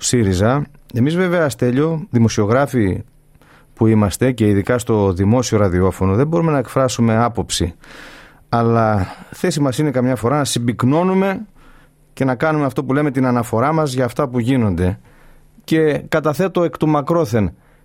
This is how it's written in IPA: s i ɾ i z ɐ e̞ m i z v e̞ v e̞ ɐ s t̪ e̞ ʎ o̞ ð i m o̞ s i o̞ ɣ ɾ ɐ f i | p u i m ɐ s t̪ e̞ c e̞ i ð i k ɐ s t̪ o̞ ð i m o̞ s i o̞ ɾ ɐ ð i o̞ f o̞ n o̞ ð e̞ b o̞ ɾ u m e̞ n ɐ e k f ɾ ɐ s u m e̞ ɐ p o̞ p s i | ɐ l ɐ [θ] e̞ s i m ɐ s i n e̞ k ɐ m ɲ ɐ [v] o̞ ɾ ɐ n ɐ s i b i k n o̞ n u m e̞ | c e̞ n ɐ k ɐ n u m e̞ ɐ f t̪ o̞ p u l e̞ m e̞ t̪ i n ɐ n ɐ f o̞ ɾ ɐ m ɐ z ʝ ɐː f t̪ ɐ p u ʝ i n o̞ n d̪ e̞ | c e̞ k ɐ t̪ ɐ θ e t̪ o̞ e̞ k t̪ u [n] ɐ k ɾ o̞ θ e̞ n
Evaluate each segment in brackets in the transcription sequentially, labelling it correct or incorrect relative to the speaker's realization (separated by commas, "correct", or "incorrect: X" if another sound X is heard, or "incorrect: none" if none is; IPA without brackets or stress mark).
correct, incorrect: f, incorrect: m